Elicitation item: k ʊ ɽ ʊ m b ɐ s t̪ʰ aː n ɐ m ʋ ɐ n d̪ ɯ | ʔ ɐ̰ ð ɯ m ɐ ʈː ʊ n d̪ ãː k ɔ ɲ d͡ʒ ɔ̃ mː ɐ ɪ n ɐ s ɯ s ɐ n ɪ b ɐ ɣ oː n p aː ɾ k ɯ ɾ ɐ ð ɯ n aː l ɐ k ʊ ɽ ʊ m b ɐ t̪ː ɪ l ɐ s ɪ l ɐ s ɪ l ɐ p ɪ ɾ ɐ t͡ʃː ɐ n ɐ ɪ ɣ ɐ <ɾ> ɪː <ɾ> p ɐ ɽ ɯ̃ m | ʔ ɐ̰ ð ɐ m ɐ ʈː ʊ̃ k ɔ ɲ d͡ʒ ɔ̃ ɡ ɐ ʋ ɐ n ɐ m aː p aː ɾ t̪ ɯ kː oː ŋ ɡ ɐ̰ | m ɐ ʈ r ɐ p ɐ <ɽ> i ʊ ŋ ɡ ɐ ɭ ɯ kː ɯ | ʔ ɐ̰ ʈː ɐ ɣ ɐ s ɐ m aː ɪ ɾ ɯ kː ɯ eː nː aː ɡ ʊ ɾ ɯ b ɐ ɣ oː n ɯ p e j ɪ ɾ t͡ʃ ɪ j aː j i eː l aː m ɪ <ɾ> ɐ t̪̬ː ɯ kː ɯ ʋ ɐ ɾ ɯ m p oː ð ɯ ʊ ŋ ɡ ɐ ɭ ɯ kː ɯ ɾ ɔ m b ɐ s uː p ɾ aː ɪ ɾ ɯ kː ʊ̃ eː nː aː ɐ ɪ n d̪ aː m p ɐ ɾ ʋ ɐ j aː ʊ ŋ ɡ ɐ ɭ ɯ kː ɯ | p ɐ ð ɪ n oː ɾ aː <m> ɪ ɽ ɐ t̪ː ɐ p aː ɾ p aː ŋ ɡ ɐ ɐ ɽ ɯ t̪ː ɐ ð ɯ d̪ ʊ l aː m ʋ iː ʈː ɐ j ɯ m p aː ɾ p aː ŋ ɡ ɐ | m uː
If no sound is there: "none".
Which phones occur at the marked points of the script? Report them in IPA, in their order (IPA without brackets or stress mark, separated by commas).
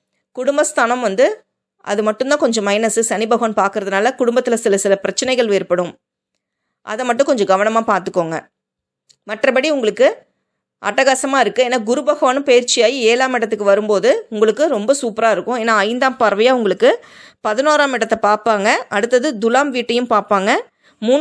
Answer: ɭ, ɾ, ɽ, ɽ, m